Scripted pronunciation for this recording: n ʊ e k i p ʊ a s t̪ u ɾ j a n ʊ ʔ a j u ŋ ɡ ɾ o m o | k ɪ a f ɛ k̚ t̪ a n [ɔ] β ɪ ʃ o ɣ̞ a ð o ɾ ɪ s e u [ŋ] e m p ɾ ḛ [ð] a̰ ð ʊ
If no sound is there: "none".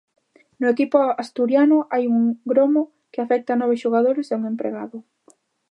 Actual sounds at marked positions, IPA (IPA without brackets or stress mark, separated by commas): ɔ, ŋ, ɣ